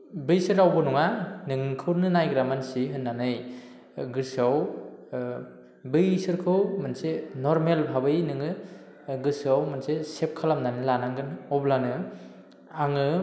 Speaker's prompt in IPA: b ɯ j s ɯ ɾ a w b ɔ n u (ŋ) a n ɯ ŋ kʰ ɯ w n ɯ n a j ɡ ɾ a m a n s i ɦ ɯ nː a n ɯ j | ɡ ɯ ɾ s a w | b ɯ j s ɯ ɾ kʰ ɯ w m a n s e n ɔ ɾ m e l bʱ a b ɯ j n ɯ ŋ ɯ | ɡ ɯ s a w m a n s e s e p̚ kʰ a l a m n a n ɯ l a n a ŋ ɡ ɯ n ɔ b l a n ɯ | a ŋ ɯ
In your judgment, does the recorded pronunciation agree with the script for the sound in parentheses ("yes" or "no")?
yes